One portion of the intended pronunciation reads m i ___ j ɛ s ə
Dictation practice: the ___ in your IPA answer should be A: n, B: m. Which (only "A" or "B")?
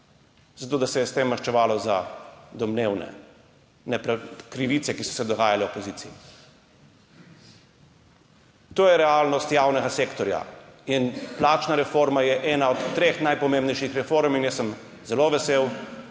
A